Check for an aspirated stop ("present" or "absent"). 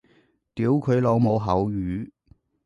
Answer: present